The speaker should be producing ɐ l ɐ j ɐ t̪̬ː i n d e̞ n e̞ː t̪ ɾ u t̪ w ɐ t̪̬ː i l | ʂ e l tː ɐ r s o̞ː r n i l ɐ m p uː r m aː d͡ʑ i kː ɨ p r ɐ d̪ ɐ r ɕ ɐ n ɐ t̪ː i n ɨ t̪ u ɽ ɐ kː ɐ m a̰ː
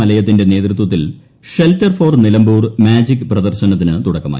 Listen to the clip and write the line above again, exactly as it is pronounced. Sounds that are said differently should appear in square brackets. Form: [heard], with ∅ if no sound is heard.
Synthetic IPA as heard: ɐ l ɐ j ɐ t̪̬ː i n d e̞ n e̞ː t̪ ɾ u t̪ w ɐ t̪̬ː i l | ʂ e l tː ɐ r [f] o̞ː r n i l ɐ m [b] uː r m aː d͡ʑ i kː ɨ p r ɐ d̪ ɐ r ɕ ɐ n ɐ t̪ː i n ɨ t̪ u ɽ ɐ kː ɐ m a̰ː